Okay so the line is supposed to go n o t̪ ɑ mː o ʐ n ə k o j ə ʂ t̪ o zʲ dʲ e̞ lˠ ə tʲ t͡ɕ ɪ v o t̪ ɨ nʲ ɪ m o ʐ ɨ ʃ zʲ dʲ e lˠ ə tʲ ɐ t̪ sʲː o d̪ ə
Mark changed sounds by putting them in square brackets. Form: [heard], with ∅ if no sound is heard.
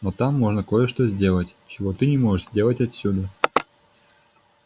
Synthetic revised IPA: n o t̪ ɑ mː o ʐ n ə k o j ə ʂ t̪ o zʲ dʲ e̞ lˠ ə tʲ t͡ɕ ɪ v o t̪ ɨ nʲ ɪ m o ʐ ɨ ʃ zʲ dʲ e lˠ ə tʲ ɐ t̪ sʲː [u] d̪ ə